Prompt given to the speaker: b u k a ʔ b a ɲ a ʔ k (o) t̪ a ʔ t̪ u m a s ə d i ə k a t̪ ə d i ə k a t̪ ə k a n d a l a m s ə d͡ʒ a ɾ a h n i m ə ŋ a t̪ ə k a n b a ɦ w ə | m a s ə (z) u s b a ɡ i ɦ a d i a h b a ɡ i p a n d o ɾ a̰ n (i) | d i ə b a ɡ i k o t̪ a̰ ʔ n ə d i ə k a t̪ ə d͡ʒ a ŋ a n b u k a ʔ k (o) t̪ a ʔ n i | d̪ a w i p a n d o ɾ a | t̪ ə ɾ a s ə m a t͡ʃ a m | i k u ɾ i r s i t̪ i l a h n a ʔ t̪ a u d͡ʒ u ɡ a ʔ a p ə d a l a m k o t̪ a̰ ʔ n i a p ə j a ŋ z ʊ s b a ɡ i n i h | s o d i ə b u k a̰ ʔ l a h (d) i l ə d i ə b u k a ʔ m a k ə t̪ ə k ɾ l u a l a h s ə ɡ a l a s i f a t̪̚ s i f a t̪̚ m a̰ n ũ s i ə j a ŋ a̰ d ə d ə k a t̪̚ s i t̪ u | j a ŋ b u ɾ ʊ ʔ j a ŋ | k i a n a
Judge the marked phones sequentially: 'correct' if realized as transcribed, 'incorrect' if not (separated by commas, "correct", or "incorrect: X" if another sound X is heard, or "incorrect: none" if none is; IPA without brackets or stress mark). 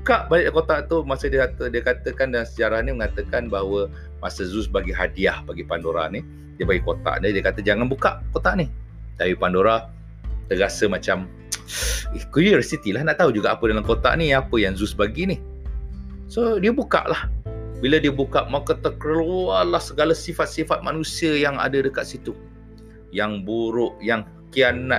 correct, correct, correct, correct, incorrect: b